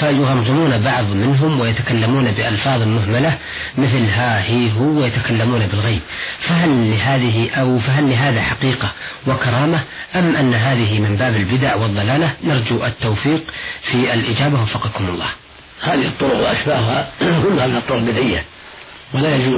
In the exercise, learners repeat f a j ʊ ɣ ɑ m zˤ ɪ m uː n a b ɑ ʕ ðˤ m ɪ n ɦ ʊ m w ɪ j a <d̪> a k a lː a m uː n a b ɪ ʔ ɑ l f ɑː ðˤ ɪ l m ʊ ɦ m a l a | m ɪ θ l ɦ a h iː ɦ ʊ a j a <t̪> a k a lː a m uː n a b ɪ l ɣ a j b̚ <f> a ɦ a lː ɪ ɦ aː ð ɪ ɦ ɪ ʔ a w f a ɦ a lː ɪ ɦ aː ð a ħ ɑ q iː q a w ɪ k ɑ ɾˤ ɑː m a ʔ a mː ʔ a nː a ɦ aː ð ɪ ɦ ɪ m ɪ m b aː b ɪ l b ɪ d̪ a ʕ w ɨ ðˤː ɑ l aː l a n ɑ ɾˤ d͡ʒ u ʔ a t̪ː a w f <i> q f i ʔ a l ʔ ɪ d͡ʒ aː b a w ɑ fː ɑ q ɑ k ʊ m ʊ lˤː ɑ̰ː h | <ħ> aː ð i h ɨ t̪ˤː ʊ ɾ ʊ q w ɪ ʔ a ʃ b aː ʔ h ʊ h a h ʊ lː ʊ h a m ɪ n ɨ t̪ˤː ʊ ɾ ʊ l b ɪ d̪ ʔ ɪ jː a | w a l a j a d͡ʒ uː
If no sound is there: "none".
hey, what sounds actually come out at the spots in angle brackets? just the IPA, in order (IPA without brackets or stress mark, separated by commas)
t̪, t̪, f, iː, h